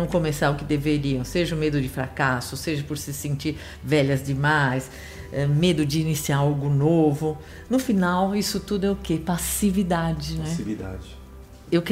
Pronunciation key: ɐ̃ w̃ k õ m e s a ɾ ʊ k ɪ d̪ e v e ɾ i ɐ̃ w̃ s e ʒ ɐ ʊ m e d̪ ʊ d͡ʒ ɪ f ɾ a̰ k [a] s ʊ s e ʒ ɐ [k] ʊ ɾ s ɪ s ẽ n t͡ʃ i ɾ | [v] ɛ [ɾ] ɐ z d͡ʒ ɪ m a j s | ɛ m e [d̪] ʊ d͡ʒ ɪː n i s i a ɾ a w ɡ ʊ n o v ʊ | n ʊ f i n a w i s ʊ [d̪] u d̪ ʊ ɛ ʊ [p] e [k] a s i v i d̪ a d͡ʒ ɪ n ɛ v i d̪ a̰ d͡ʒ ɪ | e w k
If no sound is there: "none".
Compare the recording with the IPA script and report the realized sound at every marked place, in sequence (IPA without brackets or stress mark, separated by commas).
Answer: a, p, v, ʎ, d̪, t̪, k, p